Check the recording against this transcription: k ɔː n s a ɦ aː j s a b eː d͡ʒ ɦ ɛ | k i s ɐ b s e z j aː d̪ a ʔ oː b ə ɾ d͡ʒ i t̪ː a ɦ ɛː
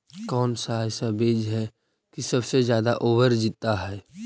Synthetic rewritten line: k ɔː n s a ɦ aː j s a b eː d͡ʒ ɦ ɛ | k i s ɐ b s e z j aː d̪ a ʔ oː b ə ɾ d͡ʒ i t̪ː a ɦ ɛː